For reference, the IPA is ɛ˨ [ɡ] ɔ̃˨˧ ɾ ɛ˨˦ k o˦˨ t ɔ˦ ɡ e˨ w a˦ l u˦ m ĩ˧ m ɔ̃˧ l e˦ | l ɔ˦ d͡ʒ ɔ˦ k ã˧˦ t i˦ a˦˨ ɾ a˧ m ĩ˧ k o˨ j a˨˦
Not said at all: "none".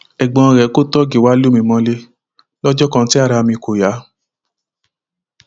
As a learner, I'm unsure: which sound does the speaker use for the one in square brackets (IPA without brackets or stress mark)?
ɡ͡b